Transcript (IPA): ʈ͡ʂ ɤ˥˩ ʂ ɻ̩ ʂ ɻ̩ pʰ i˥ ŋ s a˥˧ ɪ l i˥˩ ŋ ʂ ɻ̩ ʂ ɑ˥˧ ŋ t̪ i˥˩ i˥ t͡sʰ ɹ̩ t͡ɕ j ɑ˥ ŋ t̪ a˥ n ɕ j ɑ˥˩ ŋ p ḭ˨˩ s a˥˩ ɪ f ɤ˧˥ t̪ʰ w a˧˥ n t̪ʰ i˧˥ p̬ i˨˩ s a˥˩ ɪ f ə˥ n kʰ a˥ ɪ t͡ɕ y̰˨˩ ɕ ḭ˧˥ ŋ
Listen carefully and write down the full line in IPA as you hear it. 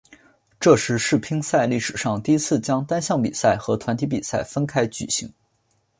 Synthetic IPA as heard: ʈ͡ʂ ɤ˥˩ ʂ ɻ̩ ʂ ɻ̩ pʰ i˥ ŋ s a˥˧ ɪ l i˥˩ ʂ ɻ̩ ʂ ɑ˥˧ ŋ t̪ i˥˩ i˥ t͡sʰ ɹ̩ t͡ɕ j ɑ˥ ŋ t̪ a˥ n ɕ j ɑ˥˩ ŋ p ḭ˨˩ s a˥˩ ɪ x ɤ˧˥ t̪ʰ w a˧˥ n t̪ʰ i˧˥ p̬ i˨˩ s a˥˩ ɪ f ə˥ n kʰ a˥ ɪ t͡ɕ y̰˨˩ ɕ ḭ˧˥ ŋ